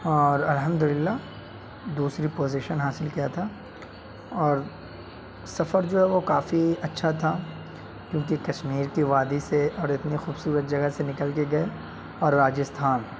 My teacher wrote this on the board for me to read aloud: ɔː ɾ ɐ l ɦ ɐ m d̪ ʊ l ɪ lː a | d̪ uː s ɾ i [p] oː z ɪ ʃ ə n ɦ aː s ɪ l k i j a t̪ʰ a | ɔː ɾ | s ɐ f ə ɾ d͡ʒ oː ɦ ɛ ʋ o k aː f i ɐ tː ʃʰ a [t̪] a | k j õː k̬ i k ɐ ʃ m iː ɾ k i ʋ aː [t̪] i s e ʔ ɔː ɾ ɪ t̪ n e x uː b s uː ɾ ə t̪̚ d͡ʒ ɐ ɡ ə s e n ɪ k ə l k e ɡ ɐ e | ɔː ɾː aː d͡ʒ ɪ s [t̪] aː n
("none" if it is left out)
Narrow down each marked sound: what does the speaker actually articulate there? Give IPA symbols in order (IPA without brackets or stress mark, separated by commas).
p, t̪ʰ, d̪, t̪ʰ